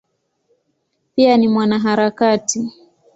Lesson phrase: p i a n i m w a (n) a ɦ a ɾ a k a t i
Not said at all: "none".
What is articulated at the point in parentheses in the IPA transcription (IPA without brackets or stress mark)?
n